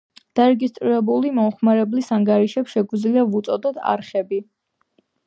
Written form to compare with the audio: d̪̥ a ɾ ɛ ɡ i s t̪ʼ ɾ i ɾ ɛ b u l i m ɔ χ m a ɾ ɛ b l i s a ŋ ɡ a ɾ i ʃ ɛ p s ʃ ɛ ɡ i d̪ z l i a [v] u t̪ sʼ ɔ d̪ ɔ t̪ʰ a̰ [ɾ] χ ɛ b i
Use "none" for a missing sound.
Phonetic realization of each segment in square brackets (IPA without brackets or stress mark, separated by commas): v, ɾ